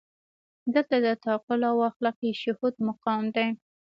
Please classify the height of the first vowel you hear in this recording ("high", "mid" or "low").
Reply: mid